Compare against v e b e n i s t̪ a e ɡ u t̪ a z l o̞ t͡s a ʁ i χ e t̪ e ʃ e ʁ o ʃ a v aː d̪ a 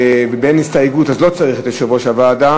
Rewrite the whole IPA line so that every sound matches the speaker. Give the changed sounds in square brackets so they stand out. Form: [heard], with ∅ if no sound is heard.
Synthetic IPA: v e b e n i s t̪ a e ɡ u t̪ a z l o̞ t͡s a ʁ i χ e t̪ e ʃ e [v] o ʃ a v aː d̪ a